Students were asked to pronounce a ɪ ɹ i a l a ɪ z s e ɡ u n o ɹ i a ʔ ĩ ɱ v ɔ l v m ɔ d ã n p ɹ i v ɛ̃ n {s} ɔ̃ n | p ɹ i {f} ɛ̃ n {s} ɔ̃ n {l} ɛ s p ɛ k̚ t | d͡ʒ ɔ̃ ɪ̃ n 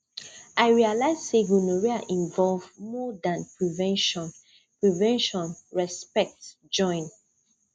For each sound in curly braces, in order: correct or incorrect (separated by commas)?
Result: incorrect, incorrect, incorrect, incorrect